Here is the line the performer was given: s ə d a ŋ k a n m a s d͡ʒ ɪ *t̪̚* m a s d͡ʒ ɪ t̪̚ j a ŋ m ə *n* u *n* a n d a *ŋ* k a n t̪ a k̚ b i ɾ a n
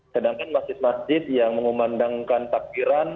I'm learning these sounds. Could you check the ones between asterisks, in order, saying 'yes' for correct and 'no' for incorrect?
yes, no, no, yes

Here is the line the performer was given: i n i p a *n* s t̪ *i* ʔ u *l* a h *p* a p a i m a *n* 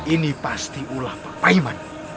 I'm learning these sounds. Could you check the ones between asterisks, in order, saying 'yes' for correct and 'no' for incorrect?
no, yes, yes, yes, yes

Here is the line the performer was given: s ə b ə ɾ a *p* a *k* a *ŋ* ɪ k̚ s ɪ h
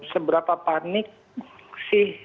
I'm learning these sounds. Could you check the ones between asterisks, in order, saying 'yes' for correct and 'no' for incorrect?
yes, no, no

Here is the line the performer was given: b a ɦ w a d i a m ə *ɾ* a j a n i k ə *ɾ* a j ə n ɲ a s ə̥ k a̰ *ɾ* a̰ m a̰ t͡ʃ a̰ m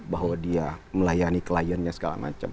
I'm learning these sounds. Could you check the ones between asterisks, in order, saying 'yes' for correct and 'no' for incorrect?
no, no, no

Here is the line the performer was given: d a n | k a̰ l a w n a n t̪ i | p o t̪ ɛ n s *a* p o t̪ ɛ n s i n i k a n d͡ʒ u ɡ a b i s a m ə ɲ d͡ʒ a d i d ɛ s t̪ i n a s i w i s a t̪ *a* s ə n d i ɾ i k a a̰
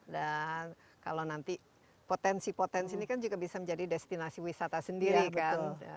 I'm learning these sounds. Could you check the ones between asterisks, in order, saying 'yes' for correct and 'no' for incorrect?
no, yes

